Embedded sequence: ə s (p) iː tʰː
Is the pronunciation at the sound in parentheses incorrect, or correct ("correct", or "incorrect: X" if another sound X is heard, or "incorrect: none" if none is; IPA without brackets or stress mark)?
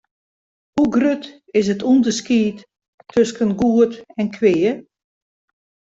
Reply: incorrect: k